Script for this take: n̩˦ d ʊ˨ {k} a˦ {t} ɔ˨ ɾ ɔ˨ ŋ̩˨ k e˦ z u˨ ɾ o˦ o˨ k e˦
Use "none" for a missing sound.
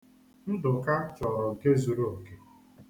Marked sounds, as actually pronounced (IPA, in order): k, t͡ʃ

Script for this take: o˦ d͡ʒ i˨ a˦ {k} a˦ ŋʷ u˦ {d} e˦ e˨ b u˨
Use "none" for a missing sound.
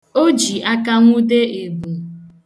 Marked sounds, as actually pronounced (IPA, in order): k, d

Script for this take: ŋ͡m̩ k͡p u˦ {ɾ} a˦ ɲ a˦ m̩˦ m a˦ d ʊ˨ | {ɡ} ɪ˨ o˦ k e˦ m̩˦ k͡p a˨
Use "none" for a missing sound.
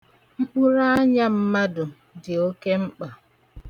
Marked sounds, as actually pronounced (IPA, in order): ɾ, d

